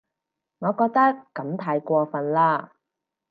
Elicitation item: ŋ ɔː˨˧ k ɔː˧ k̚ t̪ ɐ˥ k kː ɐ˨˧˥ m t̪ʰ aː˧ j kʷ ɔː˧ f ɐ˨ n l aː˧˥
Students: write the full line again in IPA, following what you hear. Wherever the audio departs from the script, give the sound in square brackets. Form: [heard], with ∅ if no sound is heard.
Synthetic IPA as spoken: ŋ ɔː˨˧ k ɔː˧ k̚ t̪ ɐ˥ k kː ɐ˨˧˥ m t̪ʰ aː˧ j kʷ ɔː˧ f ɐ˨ n l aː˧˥